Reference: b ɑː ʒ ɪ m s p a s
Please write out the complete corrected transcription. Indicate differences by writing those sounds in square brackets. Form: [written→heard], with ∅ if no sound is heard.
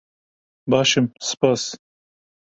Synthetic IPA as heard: b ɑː [ʒ→ʃ] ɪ m s p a s